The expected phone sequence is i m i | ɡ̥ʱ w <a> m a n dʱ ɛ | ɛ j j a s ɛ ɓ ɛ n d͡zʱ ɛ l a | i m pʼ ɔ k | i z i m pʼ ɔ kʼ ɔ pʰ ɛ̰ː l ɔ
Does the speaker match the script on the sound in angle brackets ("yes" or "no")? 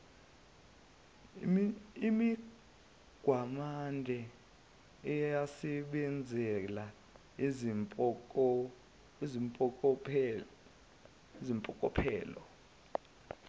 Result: yes